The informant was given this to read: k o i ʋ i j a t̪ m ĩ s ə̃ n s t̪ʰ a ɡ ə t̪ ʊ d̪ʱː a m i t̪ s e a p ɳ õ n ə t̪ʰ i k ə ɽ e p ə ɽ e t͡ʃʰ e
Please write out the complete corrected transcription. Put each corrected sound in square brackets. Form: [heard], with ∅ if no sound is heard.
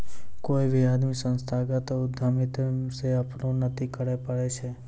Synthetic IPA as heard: k o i ʋ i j a [d̪] m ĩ s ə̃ n s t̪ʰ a ɡ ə t̪ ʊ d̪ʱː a m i t̪ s e a p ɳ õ n ə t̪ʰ i k ə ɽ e p ə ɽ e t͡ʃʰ e